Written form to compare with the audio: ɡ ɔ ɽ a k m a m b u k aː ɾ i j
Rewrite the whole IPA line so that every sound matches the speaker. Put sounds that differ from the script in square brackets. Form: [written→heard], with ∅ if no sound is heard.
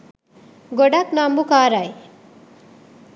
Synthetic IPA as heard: ɡ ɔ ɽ a k [m→n] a m b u k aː ɾ [i→a] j